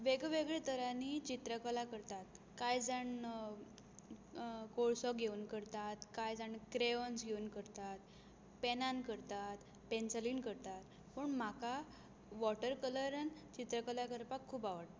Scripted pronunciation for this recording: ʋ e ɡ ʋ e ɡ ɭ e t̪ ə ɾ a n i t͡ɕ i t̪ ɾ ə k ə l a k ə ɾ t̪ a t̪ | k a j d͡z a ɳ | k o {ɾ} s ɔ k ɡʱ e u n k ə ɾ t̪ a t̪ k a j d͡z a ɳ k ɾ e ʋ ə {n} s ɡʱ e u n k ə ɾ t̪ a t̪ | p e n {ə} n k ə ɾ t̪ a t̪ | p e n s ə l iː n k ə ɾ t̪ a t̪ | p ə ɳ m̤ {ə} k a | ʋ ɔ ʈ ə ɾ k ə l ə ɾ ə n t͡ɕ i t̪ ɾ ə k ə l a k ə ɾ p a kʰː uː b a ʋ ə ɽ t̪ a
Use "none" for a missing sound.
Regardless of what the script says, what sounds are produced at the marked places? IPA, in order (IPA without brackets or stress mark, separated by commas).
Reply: ɭ, n, a, a